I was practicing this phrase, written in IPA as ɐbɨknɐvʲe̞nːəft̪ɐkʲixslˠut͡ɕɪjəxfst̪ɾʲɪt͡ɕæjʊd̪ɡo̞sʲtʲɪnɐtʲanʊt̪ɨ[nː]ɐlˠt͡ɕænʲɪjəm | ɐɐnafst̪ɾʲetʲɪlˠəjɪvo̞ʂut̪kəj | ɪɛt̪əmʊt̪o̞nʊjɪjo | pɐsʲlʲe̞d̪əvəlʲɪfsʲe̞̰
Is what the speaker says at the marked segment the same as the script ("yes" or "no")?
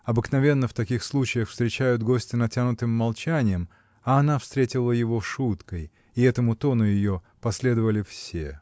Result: no